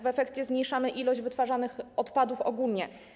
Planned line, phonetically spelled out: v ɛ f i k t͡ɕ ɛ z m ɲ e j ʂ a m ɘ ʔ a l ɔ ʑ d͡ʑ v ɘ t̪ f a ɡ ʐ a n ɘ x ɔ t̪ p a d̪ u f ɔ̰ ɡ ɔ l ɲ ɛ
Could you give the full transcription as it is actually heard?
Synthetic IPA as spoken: v ɛ f ɛ k t͡ɕ ɛ z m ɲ e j ʂ a m ɘ ʔ i l ɔ ʑ d͡ʑ v ɘ t̪ f a ʐ a n ɘ x ɔ t̪ p a d̪ u f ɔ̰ ɡ u l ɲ ɛ